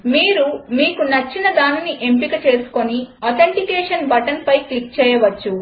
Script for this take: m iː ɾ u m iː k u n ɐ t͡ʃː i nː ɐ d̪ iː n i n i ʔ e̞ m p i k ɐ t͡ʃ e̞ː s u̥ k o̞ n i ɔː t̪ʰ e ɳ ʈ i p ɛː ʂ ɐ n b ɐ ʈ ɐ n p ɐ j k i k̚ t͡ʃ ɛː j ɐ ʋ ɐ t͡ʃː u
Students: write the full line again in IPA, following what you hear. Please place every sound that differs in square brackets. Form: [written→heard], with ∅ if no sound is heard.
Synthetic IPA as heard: m iː ɾ u m iː k u n ɐ t͡ʃː i [nː→n] ɐ d̪ [iː→aː] n i n i ʔ e̞ m p i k ɐ t͡ʃ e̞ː s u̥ k o̞ n i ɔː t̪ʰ e ɳ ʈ i [p→k] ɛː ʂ ɐ n b ɐ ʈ ɐ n p ɐ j k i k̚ t͡ʃ ɛː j ɐ ʋ ɐ t͡ʃː u

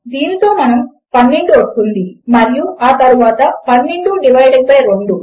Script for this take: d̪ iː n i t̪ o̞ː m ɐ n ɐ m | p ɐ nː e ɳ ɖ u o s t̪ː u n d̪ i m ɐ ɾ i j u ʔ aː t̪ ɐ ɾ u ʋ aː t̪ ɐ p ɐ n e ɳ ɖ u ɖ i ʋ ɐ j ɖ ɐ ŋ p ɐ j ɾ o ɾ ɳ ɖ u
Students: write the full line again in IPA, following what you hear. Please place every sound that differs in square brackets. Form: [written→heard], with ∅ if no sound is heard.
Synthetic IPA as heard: d̪ iː n i t̪ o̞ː m ɐ n ɐ m | p ɐ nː e ɳ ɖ u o s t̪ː u n d̪ i m ɐ ɾ i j u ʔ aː t̪ ɐ ɾ u ʋ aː t̪ ɐ p ɐ [n→nː] e ɳ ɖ u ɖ i ʋ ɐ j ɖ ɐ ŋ p ɐ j ɾ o [ɾ→∅] ɳ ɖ u

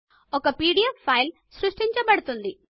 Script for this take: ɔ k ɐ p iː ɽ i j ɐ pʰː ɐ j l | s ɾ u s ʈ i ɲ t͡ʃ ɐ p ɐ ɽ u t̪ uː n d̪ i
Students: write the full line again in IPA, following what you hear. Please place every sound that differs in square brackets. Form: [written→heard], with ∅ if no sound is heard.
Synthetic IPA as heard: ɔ k ɐ p iː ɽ i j ɐ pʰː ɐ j l | s ɾ u [s→ʂ] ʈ i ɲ t͡ʃ ɐ p ɐ ɽ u t̪ [uː→u] n d̪ i

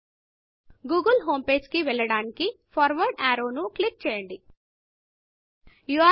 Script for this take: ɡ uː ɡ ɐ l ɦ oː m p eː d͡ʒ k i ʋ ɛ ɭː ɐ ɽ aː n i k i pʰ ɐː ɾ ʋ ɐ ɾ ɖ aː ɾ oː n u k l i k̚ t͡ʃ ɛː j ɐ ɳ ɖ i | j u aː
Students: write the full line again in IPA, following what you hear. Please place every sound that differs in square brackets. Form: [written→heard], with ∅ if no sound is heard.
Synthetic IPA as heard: ɡ uː ɡ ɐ l ɦ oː m p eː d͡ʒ k i ʋ ɛ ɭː ɐ ɽ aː n i k i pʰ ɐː ɾ ʋ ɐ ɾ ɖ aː ɾ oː n u k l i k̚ t͡ʃ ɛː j ɐ ɳ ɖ i | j u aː

